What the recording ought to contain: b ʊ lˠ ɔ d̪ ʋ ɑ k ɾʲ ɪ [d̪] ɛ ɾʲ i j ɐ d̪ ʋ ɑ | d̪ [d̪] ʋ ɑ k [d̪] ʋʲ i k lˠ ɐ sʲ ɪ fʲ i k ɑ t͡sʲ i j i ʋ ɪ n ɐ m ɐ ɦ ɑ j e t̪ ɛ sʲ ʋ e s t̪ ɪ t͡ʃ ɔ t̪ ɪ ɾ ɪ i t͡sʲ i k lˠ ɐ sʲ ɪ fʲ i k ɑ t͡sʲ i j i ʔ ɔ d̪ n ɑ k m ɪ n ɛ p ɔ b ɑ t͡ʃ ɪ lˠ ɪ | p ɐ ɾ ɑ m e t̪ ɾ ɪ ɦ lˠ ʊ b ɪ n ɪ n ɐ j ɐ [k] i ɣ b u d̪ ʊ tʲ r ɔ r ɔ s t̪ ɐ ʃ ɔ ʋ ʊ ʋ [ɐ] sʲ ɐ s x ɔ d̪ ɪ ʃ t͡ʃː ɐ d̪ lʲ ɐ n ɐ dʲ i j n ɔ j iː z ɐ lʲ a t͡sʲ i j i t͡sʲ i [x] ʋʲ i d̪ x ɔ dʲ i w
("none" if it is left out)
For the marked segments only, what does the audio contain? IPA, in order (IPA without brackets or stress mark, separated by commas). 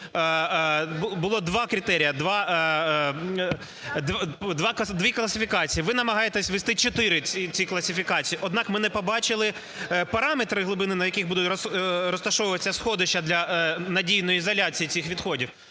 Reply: t̪, d̪, d̪, k, ɐ, x